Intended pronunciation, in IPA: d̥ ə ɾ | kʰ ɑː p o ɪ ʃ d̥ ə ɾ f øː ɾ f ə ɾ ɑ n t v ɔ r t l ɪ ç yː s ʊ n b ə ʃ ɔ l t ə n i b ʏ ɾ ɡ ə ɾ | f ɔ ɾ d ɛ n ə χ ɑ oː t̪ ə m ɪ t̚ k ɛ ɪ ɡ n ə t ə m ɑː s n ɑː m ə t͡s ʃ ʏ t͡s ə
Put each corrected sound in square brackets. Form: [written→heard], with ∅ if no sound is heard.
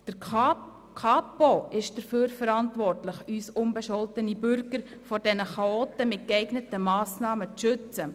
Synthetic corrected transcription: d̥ ə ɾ | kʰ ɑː p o ɪ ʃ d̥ ə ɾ f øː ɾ f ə ɾ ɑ n t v ɔ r t l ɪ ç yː s ʊ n b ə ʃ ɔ l t ə n i b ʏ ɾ ɡ ə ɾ | f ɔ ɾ d ɛ n ə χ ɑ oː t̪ ə m ɪ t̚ k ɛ ɪ ɡ n ə t ə m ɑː s n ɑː m ə t͡s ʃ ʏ t͡s ə